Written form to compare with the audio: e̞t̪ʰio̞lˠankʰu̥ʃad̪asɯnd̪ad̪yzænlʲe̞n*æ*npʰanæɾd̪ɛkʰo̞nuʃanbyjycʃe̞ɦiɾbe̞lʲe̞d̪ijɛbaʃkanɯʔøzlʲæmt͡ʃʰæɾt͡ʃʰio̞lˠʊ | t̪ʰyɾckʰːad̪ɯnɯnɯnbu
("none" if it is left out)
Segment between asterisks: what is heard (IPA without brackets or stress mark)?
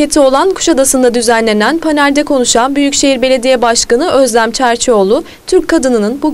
æ